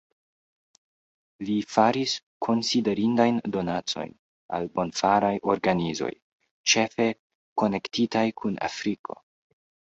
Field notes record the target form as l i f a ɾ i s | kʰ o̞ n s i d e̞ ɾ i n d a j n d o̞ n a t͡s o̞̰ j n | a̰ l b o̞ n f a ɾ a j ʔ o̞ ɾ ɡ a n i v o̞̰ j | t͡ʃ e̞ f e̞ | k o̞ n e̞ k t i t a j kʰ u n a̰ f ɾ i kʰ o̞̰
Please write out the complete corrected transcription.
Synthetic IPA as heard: l i f a ɾ i s | kʰ o̞ n s i d e̞ ɾ i n d a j n d o̞ n a t͡s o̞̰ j n | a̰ l b o̞ n f a ɾ a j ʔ o̞ ɾ ɡ a n i z o̞̰ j | t͡ʃ e̞ f e̞ | k o̞ n e̞ k t i t a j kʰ u n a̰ f ɾ i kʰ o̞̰